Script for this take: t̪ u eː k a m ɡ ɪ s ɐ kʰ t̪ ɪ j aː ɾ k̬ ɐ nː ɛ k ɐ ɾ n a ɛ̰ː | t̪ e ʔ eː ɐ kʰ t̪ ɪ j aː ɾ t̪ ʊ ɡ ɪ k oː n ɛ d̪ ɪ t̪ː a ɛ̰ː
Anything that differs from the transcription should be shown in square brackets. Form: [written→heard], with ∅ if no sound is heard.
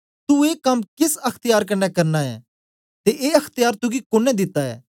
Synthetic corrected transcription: t̪ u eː k [a→ɐ] m [ɡ→k] ɪ s ɐ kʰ t̪ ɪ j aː ɾ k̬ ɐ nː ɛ k ɐ ɾ n a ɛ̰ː | t̪ e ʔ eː ɐ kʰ t̪ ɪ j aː ɾ t̪ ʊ ɡ [ɪ→i] k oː n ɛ d̪ ɪ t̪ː a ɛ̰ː